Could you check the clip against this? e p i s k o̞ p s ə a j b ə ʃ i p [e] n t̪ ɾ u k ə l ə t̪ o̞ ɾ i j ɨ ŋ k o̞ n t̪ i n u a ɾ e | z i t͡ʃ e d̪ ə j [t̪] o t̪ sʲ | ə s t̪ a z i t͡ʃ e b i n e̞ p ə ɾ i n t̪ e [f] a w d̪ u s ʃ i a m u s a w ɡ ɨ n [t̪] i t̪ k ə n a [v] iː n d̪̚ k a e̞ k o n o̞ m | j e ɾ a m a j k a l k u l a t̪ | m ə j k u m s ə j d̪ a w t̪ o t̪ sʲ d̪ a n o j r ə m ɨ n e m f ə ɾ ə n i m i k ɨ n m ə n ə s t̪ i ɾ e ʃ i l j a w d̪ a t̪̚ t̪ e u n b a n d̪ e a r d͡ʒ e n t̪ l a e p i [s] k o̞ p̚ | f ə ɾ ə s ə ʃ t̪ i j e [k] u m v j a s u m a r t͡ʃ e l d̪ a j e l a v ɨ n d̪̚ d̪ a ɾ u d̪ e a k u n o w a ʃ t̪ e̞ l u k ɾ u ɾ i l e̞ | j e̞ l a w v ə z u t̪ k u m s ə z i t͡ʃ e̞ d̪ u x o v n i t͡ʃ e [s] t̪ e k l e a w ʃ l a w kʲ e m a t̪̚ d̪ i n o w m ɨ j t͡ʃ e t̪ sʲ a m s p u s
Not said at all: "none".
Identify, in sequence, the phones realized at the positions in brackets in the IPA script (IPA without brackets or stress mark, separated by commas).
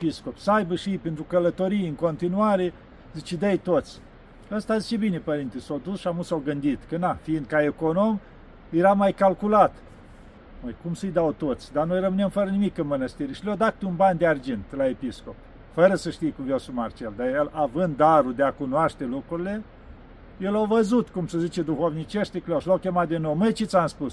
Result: e, t̪, s, d̪, f, s, k, ʃ